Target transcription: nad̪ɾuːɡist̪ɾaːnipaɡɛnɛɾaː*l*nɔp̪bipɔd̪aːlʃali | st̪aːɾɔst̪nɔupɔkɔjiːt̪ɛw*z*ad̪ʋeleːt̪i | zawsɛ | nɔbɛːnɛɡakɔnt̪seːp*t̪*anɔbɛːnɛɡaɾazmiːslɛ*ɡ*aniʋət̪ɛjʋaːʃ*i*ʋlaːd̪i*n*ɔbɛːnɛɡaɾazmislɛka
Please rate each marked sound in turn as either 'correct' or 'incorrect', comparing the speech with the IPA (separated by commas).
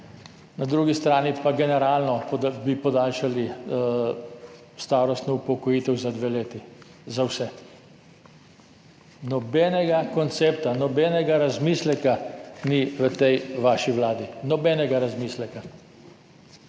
correct, correct, correct, incorrect, correct, correct